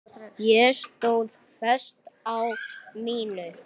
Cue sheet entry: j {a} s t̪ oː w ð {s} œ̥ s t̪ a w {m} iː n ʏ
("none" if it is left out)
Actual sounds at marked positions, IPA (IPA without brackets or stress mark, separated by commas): ɛ, f, m